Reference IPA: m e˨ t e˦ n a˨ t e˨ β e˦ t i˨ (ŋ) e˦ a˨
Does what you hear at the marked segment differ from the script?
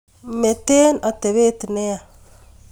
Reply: yes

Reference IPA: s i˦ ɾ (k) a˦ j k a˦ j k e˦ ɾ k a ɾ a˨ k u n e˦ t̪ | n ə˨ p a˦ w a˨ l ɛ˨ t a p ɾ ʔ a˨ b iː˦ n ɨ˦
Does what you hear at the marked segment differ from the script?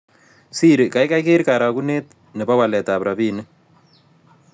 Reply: no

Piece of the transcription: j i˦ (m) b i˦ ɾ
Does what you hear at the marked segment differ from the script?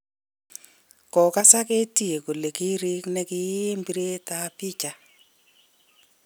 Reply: no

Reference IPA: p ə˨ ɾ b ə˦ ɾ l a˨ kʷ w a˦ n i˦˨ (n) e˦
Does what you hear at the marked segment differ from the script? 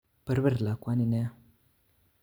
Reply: no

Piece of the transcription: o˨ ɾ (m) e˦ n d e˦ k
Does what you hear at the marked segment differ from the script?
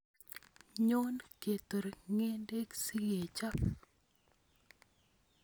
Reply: yes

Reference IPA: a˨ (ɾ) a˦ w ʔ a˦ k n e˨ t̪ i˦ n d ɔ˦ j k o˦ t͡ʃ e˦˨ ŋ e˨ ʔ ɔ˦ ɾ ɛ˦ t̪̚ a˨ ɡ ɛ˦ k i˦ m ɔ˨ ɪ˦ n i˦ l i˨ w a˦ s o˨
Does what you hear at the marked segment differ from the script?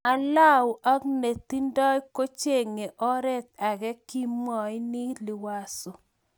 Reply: yes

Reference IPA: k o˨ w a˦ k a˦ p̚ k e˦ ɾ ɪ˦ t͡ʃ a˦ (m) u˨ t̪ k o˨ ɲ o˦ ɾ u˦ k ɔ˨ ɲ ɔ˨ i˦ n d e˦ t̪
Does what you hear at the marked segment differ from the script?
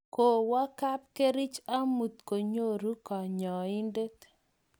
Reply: no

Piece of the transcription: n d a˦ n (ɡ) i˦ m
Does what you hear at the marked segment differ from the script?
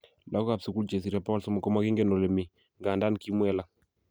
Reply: yes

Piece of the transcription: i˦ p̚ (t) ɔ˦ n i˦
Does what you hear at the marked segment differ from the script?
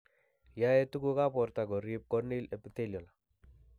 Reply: yes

